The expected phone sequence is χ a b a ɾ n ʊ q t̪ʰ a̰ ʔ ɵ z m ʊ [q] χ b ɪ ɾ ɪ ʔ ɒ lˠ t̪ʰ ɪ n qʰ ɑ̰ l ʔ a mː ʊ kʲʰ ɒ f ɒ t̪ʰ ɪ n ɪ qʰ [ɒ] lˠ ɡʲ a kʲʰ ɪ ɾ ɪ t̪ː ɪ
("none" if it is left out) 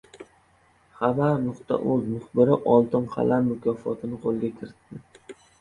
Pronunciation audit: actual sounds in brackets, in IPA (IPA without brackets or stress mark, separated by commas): none, o